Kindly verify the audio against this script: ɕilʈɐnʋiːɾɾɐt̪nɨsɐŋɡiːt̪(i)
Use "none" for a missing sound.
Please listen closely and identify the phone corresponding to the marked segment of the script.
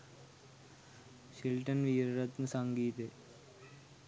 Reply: e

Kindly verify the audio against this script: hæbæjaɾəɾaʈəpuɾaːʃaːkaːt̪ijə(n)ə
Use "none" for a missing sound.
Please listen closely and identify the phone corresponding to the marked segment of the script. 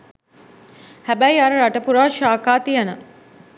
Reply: n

